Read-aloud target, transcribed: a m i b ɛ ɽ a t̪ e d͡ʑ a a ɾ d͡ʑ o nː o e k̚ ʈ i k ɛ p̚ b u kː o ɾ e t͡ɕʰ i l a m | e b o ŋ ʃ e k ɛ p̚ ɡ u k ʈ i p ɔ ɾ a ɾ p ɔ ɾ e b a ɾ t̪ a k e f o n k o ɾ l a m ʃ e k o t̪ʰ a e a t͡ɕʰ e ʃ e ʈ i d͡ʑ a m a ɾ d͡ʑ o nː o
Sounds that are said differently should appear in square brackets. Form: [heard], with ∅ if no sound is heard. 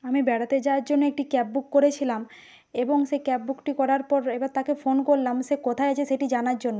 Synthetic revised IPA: a m i b ɛ ɽ a t̪ e d͡ʑ a a ɾ d͡ʑ o nː o e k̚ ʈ i k ɛ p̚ b u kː o ɾ e t͡ɕʰ i l a m | e b o ŋ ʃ e k ɛ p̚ [b] u k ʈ i [k] ɔ ɾ a ɾ p ɔ ɾ e b a ɾ t̪ a k e f o n k o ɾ l a m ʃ e k o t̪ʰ a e a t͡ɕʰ e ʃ e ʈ i d͡ʑ a [n] a ɾ d͡ʑ o nː o